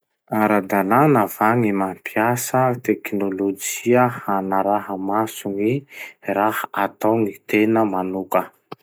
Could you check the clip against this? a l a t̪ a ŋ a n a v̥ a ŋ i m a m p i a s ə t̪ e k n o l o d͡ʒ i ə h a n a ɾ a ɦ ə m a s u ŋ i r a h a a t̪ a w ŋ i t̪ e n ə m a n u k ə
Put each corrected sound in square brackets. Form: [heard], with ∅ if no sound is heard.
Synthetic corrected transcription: a [ɾ] a [d̪] a [n] a n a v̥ a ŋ i m a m p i a s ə t̪ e k n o l o d͡ʒ i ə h a n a ɾ a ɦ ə m a s u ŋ i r a h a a t̪ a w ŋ i t̪ e n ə m a n u k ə